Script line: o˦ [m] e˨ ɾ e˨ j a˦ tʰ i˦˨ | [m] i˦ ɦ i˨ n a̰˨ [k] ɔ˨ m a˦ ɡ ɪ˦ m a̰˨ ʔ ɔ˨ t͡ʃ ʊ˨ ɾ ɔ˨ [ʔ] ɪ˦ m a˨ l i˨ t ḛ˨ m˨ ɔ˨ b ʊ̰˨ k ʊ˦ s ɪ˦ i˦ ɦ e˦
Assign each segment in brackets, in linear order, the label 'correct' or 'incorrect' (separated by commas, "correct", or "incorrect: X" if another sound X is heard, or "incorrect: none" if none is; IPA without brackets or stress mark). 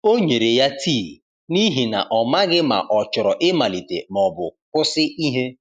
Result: incorrect: ɲ, incorrect: n, incorrect: ʔ, correct